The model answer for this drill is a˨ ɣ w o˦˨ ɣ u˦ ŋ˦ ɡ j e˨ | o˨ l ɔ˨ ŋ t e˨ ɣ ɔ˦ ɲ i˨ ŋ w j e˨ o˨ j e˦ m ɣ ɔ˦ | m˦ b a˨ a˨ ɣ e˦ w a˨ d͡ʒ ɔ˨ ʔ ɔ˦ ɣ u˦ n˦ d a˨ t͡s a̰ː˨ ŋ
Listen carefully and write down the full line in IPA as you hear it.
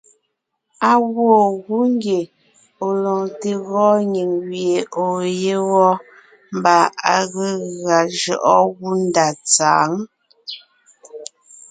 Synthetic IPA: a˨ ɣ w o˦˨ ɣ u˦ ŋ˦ ɡ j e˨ | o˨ l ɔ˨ ŋ t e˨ ɣ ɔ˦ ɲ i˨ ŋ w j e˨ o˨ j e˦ ɣ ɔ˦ | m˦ b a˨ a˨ ɣ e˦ ɣ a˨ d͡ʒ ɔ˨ ʔ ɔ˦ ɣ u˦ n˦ d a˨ t͡s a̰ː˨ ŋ

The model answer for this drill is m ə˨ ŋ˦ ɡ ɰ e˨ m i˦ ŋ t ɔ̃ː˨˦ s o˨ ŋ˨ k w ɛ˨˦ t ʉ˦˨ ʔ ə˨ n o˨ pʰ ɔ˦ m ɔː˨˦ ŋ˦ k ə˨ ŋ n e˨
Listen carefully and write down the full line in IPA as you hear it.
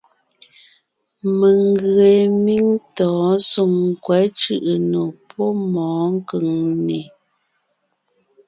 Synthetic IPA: m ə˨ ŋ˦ ɡ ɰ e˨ m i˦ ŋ t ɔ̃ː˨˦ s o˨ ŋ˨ k w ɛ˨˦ t͡ʃ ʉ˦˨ ʔ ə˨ n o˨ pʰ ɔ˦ m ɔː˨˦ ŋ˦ k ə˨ ŋ n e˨

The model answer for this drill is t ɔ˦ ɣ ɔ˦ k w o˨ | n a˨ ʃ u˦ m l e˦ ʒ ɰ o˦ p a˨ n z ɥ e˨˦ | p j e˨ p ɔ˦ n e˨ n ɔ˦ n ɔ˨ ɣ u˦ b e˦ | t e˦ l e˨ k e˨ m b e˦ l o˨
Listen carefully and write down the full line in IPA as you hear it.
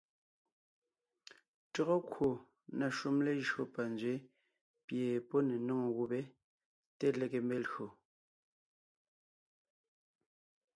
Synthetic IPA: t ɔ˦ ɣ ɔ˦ k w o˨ | n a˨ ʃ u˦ m l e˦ ʒ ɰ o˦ p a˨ n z ɥ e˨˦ | p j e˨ p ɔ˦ n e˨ n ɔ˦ ŋ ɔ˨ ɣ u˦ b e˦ | t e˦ l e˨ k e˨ m b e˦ l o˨

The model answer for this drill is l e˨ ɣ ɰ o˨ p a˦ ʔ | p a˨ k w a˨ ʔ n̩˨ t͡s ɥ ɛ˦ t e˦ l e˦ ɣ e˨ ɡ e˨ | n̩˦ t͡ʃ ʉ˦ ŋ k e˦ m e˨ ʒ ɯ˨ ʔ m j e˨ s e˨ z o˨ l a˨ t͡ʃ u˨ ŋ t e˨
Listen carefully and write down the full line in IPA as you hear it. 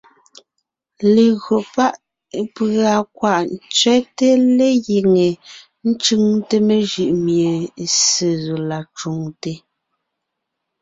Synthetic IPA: l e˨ ɣ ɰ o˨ p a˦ ʔ | p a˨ k w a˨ ʔ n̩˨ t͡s ɥ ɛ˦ t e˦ l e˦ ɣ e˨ ŋ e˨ | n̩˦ t͡ʃ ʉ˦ ŋ t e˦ m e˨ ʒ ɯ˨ ʔ m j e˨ s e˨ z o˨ l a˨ t͡ʃ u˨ ŋ t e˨

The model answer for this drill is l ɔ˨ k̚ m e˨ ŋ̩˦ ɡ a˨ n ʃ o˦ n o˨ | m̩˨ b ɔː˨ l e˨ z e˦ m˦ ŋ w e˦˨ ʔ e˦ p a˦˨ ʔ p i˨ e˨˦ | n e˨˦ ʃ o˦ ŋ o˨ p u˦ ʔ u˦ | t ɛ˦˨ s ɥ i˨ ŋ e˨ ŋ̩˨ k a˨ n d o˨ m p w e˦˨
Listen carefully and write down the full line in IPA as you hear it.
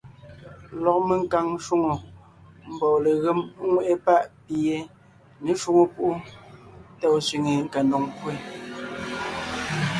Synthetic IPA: l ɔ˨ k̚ m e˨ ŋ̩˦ k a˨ ŋ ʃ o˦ ŋ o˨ | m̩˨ b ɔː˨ l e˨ ɣ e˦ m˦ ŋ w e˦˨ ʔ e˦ p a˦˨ ʔ p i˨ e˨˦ | n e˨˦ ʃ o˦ ŋ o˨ p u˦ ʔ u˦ | t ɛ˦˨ s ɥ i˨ ŋ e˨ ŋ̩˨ k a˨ n d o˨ ŋ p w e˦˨

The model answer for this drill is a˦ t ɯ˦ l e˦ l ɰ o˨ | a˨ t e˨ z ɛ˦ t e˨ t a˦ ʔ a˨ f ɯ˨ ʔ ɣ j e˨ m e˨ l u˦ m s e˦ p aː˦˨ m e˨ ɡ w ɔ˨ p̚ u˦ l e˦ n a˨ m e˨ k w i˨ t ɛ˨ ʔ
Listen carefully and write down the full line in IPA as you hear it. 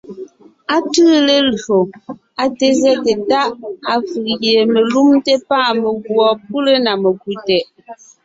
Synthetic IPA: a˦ t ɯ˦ l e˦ l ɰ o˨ | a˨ t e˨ z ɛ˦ t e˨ t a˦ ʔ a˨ f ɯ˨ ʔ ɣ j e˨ m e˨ l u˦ m t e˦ p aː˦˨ m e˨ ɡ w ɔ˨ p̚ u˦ l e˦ n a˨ m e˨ k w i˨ t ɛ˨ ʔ

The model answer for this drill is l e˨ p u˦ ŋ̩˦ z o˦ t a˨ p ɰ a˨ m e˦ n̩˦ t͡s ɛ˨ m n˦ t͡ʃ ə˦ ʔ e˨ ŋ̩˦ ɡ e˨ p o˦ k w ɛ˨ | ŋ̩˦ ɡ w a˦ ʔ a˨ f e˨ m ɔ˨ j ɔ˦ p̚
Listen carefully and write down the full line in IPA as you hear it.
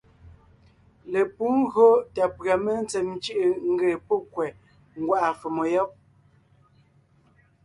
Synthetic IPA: l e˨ p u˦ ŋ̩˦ ɣ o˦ t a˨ p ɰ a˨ m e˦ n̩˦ t͡s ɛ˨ m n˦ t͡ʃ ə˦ ʔ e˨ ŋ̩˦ ɡ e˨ p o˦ k w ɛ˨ | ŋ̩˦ ɡ w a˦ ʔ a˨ f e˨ m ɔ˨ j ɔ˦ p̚

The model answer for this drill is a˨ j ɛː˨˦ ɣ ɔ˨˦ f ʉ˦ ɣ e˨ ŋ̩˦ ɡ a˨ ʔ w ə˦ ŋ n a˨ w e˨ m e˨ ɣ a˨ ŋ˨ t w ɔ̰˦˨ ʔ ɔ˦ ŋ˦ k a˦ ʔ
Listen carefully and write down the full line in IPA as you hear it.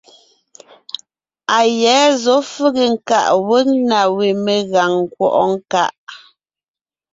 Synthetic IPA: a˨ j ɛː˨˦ z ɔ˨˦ f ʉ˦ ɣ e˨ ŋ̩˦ k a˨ ʔ w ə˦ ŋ n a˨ w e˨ m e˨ ɣ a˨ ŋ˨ k w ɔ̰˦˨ ʔ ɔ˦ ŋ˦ k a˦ ʔ

